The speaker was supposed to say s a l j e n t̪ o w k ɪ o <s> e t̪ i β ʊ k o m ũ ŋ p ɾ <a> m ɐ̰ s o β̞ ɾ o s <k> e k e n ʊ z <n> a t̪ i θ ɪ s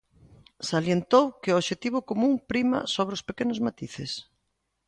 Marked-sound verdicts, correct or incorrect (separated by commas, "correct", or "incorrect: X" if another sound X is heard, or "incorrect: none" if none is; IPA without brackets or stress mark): incorrect: ʃ, incorrect: i, incorrect: p, incorrect: m